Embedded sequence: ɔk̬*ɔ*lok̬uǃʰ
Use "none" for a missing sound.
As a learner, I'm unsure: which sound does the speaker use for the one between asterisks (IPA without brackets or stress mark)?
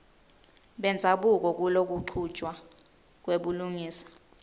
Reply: u